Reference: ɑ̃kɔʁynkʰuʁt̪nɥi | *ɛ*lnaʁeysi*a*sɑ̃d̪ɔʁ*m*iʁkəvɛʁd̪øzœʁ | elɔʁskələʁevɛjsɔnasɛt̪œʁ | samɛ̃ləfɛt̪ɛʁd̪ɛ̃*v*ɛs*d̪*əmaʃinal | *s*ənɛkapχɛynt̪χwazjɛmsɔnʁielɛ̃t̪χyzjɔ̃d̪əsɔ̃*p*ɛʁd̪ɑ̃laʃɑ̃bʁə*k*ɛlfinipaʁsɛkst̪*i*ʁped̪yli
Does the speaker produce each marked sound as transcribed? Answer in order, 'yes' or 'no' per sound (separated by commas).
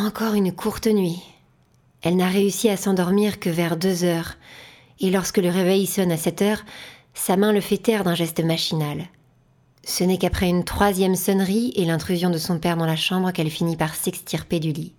yes, yes, yes, no, no, yes, yes, yes, yes